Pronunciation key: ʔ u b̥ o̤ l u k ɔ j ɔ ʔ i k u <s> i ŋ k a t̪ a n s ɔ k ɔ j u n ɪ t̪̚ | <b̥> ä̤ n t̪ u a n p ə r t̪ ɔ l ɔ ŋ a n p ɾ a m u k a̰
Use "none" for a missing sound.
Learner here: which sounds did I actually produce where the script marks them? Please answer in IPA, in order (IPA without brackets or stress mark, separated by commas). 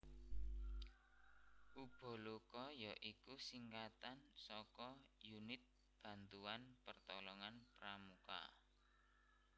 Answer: s, b̥